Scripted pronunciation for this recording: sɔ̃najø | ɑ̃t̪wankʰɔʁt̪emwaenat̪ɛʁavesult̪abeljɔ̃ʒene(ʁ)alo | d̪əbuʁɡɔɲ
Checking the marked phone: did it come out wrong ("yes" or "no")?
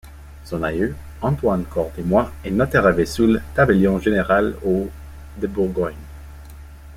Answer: no